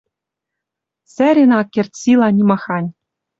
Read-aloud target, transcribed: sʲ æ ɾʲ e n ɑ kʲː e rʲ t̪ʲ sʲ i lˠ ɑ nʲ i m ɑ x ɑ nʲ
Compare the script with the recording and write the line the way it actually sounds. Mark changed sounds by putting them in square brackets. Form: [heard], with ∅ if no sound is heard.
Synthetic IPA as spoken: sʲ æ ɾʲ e n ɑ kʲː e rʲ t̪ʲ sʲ i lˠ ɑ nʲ i m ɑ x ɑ nʲ